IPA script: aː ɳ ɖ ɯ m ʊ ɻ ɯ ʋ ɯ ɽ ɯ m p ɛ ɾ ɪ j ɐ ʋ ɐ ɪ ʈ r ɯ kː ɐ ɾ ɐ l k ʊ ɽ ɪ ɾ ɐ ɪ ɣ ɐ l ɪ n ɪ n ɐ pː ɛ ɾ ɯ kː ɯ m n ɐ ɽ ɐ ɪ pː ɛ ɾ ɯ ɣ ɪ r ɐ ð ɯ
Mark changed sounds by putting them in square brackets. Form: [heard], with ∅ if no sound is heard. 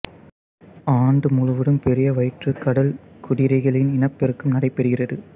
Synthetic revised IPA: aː ɳ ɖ ɯ m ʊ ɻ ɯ ʋ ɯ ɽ ɯ m p ɛ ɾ ɪ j ɐ ʋ ɐ ɪ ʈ r ɯ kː ɐ [ɽ] ɐ l k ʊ ɽ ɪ ɾ ɐ ɪ ɣ ɐ [ɭ] ɪ n ɪ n ɐ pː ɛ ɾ ɯ kː ɯ m n ɐ ɽ ɐ ɪ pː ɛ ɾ ɯ ɣ ɪ r ɐ ð ɯ